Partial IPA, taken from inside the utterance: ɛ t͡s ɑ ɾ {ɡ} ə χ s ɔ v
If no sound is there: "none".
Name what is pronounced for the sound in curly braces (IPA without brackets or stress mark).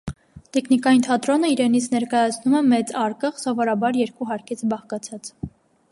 k